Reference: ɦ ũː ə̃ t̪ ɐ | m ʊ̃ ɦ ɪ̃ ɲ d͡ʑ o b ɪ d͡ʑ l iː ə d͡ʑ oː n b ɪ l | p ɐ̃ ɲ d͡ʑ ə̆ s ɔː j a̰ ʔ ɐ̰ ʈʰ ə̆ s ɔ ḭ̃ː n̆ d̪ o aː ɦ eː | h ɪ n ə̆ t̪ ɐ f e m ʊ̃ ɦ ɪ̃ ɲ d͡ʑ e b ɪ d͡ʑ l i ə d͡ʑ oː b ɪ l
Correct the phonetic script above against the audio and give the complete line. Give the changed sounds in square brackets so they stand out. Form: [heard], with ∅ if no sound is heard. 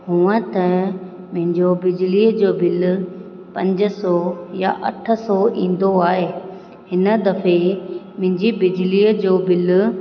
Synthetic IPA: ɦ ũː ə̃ t̪ ɐ | m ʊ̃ ɦ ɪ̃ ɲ d͡ʑ o b ɪ d͡ʑ l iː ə d͡ʑ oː [∅] b ɪ l | p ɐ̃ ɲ d͡ʑ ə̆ s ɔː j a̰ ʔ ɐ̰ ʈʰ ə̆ s ɔ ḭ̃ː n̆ d̪ o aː ɦ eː | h ɪ n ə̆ [d̪] ɐ f e m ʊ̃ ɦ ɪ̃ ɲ d͡ʑ [i] b ɪ d͡ʑ l i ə d͡ʑ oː b ɪ l

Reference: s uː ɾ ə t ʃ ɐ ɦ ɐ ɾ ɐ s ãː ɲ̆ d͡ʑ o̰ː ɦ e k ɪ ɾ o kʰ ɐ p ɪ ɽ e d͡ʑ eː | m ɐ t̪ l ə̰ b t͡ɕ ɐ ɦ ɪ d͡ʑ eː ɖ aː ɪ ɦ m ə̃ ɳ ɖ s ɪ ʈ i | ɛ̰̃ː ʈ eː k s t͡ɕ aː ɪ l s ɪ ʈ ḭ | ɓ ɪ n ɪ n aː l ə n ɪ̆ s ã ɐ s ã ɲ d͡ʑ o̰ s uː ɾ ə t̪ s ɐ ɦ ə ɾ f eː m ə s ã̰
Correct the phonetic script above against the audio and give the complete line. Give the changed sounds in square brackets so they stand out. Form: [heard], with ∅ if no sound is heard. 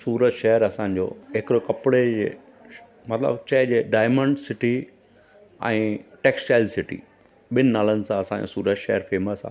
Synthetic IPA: s uː ɾ ə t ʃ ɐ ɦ [ə] ɾ ɐ s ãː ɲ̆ d͡ʑ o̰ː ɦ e k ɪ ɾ o [k] ɐ p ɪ ɽ e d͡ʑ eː | m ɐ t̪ l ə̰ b t͡ɕ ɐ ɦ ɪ d͡ʑ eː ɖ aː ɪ [∅] m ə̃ ɳ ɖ s ɪ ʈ i | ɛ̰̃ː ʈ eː k s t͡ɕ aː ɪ l s ɪ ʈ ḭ | ɓ ɪ n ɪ n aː l ə n ɪ̆ s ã ɐ s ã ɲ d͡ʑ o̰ s uː ɾ ə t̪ [ʃ] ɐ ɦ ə ɾ f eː m ə s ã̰

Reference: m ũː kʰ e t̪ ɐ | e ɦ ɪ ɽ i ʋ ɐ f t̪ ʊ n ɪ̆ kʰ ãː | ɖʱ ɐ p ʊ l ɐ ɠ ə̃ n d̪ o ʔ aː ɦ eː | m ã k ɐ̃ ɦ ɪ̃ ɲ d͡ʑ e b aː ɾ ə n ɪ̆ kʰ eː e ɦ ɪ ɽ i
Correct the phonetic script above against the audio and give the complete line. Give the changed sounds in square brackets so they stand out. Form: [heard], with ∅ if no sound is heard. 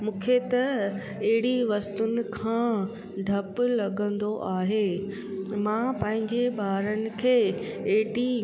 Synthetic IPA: m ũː kʰ e t̪ ɐ | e ɦ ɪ ɽ i ʋ ɐ [s] t̪ ʊ n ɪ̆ kʰ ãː | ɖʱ ɐ p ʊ l ɐ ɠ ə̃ n d̪ o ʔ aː ɦ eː | m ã [p] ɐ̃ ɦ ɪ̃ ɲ d͡ʑ e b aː ɾ ə n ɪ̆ kʰ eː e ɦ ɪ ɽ i

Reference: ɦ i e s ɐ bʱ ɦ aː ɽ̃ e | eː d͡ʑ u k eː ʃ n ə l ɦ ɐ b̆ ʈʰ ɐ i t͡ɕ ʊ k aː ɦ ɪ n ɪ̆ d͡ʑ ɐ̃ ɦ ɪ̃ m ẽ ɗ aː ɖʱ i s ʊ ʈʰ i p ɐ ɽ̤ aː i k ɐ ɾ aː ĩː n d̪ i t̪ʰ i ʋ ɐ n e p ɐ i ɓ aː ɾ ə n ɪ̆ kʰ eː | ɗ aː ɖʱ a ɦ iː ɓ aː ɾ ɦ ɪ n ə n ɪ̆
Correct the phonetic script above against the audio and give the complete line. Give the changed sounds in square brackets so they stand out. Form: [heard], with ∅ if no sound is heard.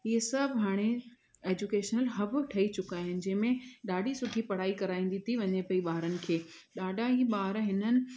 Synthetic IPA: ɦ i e s ɐ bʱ ɦ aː ɽ̃ e | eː d͡ʑ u k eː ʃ n ə l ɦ ɐ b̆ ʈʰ ɐ i t͡ɕ ʊ k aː ɦ ɪ n ɪ̆ d͡ʑ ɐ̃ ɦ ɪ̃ m ẽ ɗ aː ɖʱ i s ʊ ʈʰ i p ɐ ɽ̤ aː i k ɐ ɾ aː ĩː n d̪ i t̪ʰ i ʋ ɐ [ɲ] e p ɐ i ɓ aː ɾ ə n ɪ̆ kʰ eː | ɗ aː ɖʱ a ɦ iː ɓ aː ɾ ɦ ɪ n ə n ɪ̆

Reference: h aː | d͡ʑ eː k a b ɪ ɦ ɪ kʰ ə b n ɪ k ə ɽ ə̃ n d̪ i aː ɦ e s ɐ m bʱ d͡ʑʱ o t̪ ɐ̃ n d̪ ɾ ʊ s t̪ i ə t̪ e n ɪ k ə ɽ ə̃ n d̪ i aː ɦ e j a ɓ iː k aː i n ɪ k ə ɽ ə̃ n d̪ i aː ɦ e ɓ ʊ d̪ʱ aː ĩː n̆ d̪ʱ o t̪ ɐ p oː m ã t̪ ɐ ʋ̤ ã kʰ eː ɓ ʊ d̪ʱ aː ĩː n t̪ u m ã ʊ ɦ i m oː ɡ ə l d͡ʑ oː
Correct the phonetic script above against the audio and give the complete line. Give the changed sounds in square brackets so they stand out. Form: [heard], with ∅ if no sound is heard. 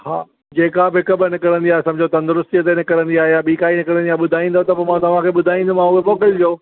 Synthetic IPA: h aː | d͡ʑ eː k a b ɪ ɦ ɪ [k] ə b n ɪ k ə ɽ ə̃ n d̪ i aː ɦ e s ɐ m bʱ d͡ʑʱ o t̪ ɐ̃ n d̪ ɾ ʊ s t̪ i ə t̪ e n ɪ k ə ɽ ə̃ n d̪ i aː ɦ e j a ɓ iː k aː i n ɪ k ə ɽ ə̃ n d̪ i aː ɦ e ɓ ʊ d̪ʱ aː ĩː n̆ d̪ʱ o t̪ ɐ p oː m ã t̪ ɐ ʋ̤ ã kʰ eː ɓ ʊ d̪ʱ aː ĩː n [d̪] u m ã ʊ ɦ [e] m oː [k] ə l d͡ʑ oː

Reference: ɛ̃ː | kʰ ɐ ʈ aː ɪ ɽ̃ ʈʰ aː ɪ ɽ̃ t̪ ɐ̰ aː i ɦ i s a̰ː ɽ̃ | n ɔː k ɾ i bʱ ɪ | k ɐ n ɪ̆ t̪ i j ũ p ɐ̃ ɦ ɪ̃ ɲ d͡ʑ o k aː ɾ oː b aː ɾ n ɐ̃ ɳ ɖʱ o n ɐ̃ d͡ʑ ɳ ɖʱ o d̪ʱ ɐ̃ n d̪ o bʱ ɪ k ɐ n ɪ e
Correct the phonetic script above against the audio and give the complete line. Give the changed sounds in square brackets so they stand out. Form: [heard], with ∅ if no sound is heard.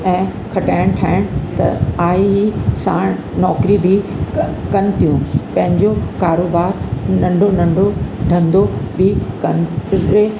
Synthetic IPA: ɛ̃ː | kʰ ɐ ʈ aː ɪ ɽ̃ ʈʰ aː ɪ ɽ̃ t̪ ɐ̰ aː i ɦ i s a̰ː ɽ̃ | n ɔː k ɾ i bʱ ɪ | k ɐ n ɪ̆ t̪ i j ũ p ɐ̃ ɦ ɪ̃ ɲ d͡ʑ o k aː ɾ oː b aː ɾ n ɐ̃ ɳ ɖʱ o n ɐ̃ [∅] ɳ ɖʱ o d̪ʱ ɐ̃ n d̪ o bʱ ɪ k ɐ n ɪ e

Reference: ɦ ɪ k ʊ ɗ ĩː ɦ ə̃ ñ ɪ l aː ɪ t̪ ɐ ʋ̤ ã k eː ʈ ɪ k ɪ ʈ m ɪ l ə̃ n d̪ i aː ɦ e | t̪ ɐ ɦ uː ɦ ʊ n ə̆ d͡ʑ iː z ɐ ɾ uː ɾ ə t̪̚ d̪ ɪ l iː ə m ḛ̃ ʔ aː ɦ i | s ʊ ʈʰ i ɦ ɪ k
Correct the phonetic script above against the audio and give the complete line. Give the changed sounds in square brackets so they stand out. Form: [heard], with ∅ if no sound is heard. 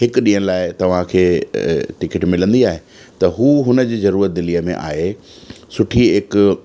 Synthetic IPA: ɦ ɪ k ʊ ɗ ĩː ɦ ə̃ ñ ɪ l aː ɪ t̪ ɐ ʋ̤ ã [kʰ] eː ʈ ɪ k ɪ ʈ m ɪ l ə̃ n d̪ i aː ɦ e | t̪ ɐ ɦ uː ɦ ʊ n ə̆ d͡ʑ iː z ɐ ɾ uː ɾ ə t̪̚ d̪ ɪ l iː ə m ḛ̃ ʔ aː ɦ [e] | s ʊ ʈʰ i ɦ ɪ k

